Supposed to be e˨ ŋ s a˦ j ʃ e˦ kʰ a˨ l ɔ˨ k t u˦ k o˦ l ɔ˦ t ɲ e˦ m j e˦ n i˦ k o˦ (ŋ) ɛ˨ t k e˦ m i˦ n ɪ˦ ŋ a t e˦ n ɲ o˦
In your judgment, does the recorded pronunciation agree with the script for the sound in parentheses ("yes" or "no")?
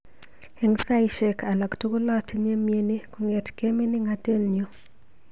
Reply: yes